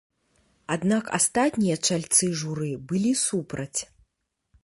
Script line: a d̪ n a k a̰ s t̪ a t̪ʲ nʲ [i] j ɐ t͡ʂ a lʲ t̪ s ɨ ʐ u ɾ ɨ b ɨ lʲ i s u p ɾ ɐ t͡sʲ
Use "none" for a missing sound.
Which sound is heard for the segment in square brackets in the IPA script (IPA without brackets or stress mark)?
i